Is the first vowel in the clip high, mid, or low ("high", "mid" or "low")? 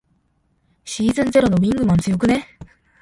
high